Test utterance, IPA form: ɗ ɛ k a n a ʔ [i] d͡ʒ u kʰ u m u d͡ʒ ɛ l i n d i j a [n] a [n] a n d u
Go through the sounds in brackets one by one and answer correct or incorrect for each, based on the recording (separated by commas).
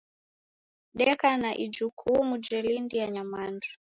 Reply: correct, incorrect, incorrect